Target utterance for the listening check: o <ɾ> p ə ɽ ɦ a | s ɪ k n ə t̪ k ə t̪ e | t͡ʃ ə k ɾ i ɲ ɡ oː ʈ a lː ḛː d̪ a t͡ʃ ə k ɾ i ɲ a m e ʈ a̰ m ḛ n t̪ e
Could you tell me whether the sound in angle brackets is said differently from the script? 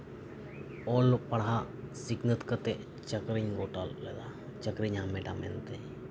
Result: yes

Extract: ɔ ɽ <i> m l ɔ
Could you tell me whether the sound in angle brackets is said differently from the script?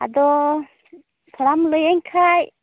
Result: yes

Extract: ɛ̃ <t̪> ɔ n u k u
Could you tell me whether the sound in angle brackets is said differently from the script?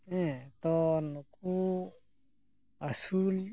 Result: no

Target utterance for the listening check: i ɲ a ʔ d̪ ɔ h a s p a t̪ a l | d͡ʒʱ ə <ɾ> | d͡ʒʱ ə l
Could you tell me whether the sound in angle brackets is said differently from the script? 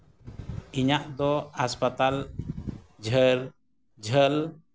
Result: no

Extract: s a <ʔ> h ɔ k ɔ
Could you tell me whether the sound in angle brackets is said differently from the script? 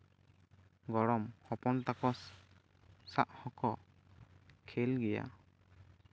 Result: no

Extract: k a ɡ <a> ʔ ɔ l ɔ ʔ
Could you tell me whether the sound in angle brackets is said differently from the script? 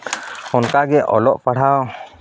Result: yes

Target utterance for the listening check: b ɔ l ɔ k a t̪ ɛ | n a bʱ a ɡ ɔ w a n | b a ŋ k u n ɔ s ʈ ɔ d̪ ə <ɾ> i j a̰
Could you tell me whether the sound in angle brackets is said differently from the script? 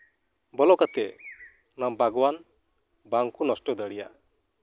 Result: yes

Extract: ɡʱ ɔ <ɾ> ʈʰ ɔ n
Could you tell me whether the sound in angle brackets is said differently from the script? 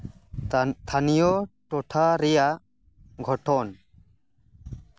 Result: yes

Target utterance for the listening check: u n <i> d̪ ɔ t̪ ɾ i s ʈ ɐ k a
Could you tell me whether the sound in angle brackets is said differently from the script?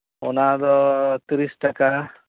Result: yes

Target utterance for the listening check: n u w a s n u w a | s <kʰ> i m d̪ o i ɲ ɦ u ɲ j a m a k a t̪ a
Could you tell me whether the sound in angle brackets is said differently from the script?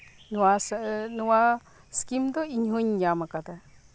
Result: yes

